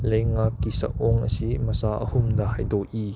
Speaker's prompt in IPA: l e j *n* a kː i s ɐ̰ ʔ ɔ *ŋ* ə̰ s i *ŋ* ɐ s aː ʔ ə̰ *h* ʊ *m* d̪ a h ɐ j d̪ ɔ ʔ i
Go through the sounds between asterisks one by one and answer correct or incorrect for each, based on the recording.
incorrect: ŋ, correct, incorrect: m, correct, correct

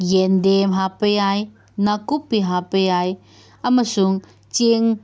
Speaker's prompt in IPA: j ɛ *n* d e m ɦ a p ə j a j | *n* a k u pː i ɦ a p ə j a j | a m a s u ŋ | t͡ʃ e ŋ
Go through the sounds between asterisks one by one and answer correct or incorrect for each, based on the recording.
correct, correct

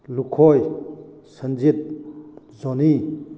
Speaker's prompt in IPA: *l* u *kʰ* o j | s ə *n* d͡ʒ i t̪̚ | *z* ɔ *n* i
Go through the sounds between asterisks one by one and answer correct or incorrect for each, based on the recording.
correct, correct, correct, correct, correct

